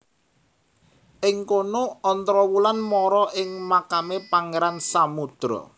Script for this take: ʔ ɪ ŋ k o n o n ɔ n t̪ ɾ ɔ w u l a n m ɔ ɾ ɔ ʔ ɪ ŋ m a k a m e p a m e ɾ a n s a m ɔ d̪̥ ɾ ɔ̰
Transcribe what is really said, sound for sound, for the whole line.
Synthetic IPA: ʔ ɪ ŋ k o n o ɔ n t̪ ɾ ɔ w u l a n m ɔ ɾ ɔ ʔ ɪ ŋ m a k a m e p a ŋ e ɾ a n s a m u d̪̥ ɾ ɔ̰